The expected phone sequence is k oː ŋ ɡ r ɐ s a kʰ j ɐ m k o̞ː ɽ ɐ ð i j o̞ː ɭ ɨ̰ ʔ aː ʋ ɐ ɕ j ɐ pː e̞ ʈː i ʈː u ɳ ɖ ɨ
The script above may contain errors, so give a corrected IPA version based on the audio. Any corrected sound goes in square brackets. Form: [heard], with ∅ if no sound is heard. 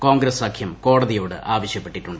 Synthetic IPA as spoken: k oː ŋ ɡ [ɾ] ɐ s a kʰ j ɐ m k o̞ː ɽ ɐ ð i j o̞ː [ɽ] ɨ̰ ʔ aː ʋ ɐ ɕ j ɐ pː e̞ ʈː i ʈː u ɳ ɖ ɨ